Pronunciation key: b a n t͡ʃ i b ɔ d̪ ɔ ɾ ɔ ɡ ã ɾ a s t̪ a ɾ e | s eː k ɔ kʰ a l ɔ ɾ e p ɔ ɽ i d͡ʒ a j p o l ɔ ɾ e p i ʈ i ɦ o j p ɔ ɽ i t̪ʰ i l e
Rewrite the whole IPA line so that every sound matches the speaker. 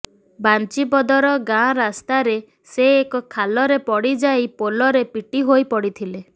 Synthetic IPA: b a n t͡ʃ i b ɔ d̪ ɔ ɾ ɔ ɡ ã ɾ a s t̪ a ɾ e | s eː k ɔ kʰ a l ɔ ɾ e p ɔ ɽ i d͡ʒ a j p o l ɔ ɾ e p i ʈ i ɦ o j p ɔ ɽ i t̪ʰ i l e